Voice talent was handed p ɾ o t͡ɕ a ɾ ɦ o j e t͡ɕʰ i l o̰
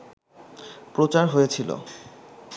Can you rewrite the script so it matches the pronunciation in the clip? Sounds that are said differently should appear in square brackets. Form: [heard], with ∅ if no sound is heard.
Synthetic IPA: p ɾ o t͡ɕ a ɾ ɦ o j e t͡ɕʰ i l o̰